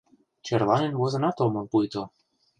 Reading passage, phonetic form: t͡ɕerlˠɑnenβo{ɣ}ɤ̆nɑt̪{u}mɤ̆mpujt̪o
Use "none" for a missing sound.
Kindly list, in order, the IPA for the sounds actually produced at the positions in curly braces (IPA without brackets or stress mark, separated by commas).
z, o